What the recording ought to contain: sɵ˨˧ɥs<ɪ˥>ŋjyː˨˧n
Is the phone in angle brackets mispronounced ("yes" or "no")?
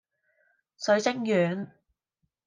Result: no